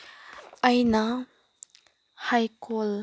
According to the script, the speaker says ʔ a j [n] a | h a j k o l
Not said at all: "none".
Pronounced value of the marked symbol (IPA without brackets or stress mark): n